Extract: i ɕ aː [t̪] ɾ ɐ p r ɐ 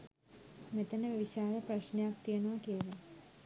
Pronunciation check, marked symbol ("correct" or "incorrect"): incorrect